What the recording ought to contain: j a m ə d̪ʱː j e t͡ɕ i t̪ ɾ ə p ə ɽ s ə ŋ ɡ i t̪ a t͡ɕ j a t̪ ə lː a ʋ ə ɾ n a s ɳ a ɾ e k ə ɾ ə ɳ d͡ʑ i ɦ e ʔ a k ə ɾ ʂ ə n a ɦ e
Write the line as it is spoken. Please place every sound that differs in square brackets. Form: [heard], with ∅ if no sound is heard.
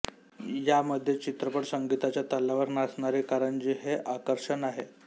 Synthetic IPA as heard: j a m ə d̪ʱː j e t͡ɕ i t̪ ɾ ə p ə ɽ s ə ŋ ɡ i t̪ a t͡ɕ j a t̪ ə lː a ʋ ə ɾ n a s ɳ a ɾ e k [a] ɾ ə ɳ d͡ʑ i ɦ e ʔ a k ə ɾ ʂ ə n a ɦ e